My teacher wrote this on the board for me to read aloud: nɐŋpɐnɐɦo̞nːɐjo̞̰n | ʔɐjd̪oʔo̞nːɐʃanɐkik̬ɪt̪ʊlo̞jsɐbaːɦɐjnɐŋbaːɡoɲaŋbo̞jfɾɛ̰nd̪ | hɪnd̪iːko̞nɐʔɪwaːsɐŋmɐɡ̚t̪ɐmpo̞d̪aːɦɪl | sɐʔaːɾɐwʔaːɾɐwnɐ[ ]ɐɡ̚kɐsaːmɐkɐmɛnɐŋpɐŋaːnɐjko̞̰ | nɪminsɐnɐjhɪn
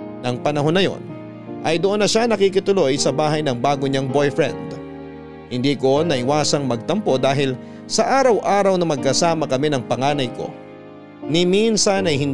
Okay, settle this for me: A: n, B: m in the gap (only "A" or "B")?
B